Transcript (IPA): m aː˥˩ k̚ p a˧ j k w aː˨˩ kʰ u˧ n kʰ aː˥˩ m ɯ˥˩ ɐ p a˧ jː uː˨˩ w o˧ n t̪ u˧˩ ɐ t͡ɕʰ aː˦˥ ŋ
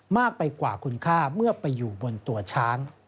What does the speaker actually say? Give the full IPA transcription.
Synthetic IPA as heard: m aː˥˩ k̚ p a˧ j k w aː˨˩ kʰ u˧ n kʰ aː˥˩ m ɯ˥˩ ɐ p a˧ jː uː˨˩ b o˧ n t̪ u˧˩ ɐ t͡ɕʰ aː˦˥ ŋ